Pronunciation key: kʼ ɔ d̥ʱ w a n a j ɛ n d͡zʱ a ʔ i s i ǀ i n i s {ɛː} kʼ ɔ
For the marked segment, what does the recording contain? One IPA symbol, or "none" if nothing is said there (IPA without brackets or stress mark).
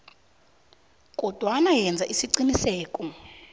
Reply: ɛː